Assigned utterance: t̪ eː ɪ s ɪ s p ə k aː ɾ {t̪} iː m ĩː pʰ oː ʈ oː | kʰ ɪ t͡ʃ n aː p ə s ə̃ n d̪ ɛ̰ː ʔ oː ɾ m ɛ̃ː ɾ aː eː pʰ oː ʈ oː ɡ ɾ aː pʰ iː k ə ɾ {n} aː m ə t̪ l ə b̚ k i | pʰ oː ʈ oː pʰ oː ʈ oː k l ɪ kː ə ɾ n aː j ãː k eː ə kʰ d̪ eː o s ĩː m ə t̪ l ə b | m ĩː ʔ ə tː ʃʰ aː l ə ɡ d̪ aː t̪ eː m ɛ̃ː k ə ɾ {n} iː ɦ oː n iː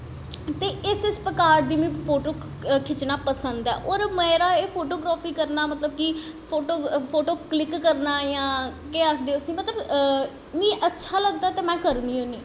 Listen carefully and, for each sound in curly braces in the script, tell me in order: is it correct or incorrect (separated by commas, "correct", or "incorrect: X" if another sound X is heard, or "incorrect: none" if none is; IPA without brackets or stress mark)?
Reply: incorrect: d̪, correct, correct